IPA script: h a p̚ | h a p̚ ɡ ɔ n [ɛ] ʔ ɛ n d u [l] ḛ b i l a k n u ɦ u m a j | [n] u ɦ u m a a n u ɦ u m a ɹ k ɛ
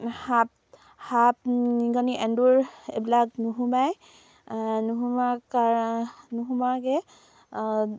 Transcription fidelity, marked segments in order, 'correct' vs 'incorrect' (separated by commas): incorrect, incorrect, correct